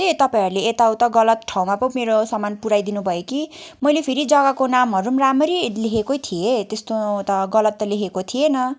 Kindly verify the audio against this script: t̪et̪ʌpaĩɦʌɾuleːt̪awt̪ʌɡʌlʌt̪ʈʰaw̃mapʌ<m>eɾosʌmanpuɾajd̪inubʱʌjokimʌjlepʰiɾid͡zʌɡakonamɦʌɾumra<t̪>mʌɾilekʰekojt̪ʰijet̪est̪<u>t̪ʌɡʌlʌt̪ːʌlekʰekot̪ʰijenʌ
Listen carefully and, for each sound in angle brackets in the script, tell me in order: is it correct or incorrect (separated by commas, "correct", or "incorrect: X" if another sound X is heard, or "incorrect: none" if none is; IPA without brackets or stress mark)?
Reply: correct, incorrect: none, incorrect: o